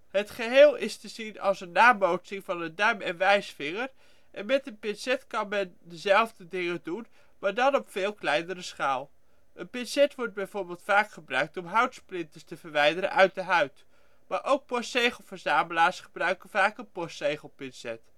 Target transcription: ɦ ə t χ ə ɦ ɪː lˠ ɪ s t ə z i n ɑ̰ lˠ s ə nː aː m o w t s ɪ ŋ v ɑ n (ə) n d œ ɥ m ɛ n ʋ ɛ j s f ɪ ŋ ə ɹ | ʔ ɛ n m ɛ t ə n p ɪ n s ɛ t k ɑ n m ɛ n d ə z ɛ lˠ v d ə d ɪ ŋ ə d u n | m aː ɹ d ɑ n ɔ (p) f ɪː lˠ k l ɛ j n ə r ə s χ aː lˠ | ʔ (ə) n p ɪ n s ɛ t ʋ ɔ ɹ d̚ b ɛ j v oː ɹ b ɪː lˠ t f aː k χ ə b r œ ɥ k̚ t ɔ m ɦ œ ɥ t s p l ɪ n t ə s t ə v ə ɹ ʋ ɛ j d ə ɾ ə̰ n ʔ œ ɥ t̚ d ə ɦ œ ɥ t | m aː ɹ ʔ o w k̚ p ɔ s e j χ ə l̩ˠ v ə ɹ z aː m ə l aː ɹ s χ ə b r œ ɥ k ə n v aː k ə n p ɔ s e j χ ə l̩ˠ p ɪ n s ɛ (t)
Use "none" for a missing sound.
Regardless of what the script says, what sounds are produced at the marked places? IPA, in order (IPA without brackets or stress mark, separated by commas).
ə, p, ə, t